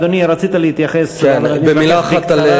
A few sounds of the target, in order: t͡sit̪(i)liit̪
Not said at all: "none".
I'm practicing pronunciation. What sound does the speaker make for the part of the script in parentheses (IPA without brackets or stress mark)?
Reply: a